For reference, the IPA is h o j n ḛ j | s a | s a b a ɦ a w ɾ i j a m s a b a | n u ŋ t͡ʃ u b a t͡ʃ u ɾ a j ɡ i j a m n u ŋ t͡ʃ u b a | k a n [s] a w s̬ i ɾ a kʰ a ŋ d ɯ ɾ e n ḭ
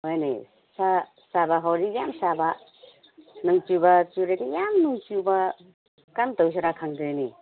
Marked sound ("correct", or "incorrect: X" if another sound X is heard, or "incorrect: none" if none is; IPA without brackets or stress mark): incorrect: t